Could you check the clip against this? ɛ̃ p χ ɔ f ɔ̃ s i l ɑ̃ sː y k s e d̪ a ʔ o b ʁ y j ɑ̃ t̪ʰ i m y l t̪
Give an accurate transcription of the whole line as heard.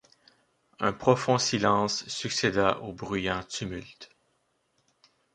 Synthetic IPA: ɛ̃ p χ ɔ f ɔ̃ s i l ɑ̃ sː y k s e d̪ a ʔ o b ʁ y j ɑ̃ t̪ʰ y m y l t̪